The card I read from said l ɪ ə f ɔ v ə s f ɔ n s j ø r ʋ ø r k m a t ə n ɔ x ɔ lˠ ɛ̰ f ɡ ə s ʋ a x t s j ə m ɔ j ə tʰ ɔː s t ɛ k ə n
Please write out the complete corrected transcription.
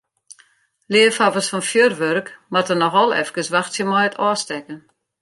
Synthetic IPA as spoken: l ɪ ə f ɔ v ə s f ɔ n f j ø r ʋ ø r k m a t ə n ɔ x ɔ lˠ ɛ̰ f k ə s ʋ a x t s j ə m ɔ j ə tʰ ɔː s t ɛ k ə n